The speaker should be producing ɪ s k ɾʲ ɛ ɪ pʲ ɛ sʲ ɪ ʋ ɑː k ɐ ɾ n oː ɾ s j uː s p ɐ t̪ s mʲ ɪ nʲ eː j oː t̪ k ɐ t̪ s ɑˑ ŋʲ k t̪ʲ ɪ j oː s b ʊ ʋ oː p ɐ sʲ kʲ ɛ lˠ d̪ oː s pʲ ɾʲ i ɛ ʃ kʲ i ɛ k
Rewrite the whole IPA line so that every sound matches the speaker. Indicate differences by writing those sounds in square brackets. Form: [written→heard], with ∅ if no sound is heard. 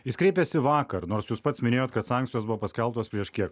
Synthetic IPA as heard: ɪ s k ɾʲ ɛ ɪ pʲ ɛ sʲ ɪ ʋ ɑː k ɐ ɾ n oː ɾ s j uː s p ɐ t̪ s mʲ ɪ nʲ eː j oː t̪ k ɐ t̪ s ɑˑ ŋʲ k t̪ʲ ɪ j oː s b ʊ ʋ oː p ɐ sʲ kʲ ɛ lˠ [d̪→t̪] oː s pʲ ɾʲ i ɛ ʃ kʲ i ɛ k